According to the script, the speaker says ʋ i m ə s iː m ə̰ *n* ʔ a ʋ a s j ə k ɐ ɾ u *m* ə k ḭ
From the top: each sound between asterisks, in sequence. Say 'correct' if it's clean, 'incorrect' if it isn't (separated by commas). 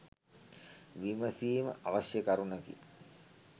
incorrect, incorrect